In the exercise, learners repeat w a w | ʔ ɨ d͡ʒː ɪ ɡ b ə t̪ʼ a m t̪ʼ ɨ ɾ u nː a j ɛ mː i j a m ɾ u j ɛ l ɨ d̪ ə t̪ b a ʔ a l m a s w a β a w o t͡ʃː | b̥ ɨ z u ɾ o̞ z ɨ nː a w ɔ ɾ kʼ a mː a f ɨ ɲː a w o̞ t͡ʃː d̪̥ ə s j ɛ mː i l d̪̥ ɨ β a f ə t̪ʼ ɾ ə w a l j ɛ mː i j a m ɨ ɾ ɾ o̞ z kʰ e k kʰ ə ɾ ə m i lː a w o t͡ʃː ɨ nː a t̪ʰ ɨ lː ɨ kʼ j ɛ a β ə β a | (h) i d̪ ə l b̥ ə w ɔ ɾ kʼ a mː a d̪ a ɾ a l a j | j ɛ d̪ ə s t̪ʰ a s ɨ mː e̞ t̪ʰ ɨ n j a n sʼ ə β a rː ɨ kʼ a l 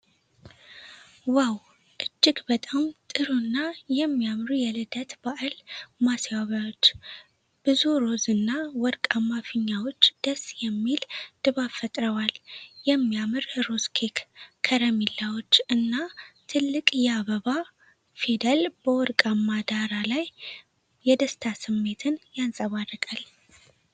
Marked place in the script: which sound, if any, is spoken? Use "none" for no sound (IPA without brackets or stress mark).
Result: f